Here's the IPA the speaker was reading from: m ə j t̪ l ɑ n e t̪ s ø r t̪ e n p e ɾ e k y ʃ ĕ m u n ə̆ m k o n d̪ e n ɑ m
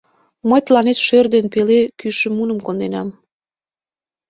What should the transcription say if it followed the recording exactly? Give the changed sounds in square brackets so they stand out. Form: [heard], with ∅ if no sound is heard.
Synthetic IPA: m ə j t̪ l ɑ n e t̪ [ʃ] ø r [d̪] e n p e [l] e k y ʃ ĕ m u n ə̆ m k o n d̪ e n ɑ m